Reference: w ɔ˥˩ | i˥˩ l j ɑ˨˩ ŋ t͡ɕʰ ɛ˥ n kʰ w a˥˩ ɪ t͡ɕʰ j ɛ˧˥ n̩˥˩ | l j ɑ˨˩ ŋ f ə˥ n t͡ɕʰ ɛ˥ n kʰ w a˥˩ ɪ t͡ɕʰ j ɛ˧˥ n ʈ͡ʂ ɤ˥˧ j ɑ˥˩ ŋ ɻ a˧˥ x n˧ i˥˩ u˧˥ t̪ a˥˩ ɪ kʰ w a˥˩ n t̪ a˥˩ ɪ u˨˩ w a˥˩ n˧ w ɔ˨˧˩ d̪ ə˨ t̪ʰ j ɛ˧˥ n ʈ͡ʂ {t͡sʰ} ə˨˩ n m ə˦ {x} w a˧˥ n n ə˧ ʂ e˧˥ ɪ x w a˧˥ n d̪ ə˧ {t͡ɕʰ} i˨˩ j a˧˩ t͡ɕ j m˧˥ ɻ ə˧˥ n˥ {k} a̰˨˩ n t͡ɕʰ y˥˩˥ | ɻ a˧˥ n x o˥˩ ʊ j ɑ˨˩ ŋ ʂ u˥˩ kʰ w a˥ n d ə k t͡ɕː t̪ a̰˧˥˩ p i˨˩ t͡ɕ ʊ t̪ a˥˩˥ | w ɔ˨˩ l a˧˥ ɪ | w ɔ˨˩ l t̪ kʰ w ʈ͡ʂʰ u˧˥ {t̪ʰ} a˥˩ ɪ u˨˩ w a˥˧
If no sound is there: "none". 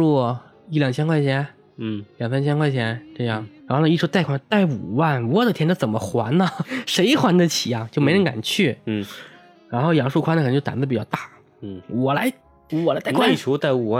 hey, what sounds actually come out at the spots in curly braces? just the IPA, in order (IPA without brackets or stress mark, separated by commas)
t͡s, x, t͡ɕʰ, k, t̪